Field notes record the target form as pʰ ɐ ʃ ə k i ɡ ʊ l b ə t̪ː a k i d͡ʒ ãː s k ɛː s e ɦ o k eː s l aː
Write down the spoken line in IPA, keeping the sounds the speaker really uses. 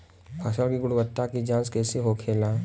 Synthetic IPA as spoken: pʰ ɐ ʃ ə k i ɡ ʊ ɽ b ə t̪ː a k i d͡ʒ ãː s k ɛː s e ɦ o kʰ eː l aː